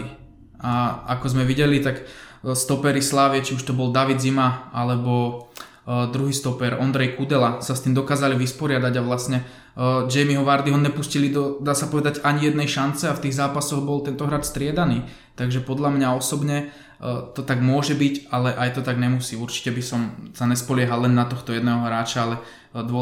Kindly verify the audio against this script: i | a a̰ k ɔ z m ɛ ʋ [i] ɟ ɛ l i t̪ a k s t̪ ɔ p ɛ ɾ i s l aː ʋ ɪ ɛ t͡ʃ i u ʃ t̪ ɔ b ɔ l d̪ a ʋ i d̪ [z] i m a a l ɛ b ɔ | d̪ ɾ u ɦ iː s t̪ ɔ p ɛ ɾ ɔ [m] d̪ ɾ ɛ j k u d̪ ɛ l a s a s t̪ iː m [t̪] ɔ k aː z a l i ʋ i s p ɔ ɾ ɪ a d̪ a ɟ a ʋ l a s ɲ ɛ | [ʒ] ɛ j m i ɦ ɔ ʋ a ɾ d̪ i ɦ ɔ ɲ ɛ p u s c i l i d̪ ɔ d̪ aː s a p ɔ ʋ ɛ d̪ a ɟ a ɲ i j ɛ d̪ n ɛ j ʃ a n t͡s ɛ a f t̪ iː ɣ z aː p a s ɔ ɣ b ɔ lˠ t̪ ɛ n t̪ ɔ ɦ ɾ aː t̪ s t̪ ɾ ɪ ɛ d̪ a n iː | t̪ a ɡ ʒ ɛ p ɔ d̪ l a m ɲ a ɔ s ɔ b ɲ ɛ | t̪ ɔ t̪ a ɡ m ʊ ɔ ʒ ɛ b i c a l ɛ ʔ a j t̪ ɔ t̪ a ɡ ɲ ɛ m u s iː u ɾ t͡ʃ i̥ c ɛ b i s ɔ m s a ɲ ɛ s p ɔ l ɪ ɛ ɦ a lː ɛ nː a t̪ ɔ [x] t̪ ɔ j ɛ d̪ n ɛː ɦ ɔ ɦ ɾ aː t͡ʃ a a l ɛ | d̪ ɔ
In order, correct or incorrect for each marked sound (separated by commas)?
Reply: correct, correct, incorrect, incorrect, incorrect, correct